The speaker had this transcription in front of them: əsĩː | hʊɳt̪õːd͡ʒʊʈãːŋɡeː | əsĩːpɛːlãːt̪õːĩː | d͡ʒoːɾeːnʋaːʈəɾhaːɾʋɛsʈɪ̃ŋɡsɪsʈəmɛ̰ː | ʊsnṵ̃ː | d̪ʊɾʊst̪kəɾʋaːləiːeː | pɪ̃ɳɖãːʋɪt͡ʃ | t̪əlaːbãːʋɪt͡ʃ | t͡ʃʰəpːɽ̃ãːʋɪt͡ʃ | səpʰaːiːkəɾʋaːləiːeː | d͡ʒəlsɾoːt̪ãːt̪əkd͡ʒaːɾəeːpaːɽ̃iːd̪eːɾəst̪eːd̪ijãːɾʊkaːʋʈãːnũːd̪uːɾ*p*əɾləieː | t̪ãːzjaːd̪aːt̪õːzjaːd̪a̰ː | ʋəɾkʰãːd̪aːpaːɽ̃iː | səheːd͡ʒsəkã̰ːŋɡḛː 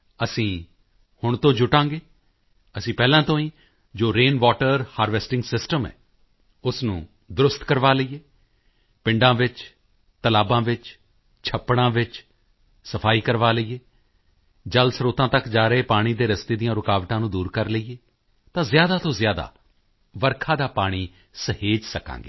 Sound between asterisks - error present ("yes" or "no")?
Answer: yes